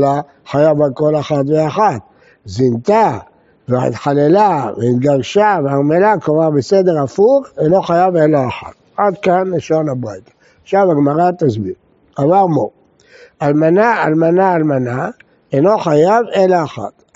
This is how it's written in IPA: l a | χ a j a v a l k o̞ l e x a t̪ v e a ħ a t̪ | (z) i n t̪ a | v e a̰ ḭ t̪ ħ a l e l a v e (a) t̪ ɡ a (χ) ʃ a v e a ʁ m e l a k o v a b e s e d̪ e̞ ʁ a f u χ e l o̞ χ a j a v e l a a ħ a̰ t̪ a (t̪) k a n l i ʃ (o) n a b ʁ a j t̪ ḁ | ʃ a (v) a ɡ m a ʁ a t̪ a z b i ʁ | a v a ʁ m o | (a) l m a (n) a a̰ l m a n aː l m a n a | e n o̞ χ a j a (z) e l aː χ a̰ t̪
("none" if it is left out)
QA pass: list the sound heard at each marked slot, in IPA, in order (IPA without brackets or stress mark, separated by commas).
z, i, ʁ, d̪, o, v, a, n, v